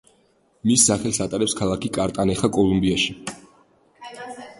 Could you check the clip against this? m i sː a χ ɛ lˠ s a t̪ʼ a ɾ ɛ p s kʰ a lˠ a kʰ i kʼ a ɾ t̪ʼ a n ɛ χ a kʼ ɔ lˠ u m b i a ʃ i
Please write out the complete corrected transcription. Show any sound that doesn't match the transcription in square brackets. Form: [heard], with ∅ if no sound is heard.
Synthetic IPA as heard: m i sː a χ ɛ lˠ s a t̪ʼ a ɾ ɛ p s kʰ a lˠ a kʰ i kʼ a ɾ t̪ʼ a n ɛ χ a kʼ ɔ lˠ u m b i a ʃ i

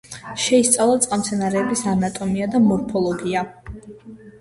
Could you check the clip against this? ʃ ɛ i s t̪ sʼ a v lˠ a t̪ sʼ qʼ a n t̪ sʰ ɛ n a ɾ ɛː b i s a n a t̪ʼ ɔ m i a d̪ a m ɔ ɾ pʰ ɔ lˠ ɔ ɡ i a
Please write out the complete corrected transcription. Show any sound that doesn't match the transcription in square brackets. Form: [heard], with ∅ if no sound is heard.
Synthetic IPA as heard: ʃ ɛ i s t̪ sʼ a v lˠ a t̪ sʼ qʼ a [m] t̪ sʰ ɛ n a ɾ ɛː b i s a n a t̪ʼ ɔ m i a d̪ a m ɔ ɾ pʰ ɔ lˠ ɔ ɡ i a

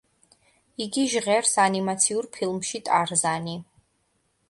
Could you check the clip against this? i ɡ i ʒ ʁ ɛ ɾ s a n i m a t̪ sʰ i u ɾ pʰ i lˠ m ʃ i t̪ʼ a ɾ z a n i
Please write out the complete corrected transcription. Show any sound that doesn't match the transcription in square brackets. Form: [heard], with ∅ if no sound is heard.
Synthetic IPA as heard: i ɡ i ʒ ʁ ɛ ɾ s a n i m a t̪ sʰ i u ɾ pʰ i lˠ m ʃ i t̪ʼ a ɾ z a n i

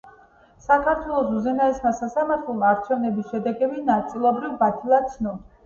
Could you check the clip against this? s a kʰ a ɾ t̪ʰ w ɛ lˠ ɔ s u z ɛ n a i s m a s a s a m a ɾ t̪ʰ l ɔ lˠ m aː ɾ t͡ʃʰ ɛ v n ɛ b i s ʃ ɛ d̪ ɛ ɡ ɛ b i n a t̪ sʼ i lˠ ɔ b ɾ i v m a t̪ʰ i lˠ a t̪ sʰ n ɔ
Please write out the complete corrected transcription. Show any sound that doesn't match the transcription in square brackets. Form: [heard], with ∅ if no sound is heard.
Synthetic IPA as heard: s a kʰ a ɾ t̪ʰ w ɛ lˠ ɔ s u z ɛ n a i s m a s a s a m a ɾ t̪ʰ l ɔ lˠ m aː ɾ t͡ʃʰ ɛ v n ɛ b i s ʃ ɛ d̪ ɛ ɡ ɛ b i n a t̪ sʼ i lˠ ɔ b ɾ i v [b] a t̪ʰ i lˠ a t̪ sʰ n ɔ

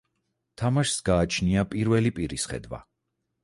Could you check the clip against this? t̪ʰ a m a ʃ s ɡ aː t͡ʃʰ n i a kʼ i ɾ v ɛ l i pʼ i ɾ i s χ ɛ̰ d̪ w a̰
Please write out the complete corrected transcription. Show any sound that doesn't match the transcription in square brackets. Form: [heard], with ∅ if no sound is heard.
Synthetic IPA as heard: t̪ʰ a m a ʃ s ɡ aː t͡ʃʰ n i a [pʼ] i ɾ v ɛ l i pʼ i ɾ i s χ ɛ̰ d̪ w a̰

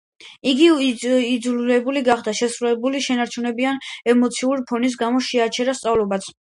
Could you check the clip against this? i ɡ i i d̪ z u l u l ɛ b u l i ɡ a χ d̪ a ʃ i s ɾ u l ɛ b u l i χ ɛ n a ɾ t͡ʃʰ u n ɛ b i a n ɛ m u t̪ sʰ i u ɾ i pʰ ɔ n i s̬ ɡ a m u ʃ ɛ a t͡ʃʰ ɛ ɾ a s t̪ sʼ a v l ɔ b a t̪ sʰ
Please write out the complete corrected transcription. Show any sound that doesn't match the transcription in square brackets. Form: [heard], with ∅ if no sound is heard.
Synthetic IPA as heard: i ɡ i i d̪ z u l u l ɛ b u l i ɡ a χ d̪ a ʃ [ɛ] s ɾ u l ɛ b u l i [ʃ] ɛ n a ɾ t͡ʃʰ u n ɛ b i a n ɛ m [ɔ] t̪ sʰ i u ɾ i pʰ ɔ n i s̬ ɡ a m [ɔ] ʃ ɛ a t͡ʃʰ ɛ ɾ a s t̪ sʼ a v l ɔ b a t̪ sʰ

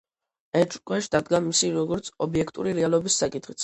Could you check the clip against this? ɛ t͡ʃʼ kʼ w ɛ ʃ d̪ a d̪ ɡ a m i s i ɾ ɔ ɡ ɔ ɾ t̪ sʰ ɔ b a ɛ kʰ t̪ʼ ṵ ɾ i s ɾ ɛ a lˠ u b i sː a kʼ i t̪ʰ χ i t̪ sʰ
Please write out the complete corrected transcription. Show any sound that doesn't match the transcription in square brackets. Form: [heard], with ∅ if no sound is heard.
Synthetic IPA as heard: ɛ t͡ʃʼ kʼ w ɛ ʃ d̪ a d̪ ɡ a m i s i ɾ ɔ ɡ ɔ ɾ t̪ sʰ ɔ b [i] ɛ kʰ t̪ʼ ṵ ɾ i [∅] ɾ ɛ a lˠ [ɔ] b i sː a kʼ i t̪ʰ χ i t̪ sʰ

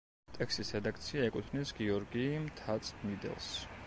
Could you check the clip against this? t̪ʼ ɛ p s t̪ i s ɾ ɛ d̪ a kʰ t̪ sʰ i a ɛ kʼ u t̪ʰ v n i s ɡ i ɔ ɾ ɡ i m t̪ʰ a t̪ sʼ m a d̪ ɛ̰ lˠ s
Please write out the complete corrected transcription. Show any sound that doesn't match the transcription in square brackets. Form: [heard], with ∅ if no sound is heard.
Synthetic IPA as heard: t̪ʼ ɛ [k] s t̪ i s ɾ ɛ d̪ a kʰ t̪ sʰ i a ɛ kʼ u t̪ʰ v n i s ɡ i ɔ ɾ ɡ i m t̪ʰ a t̪ sʼ m [i] d̪ ɛ̰ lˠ s

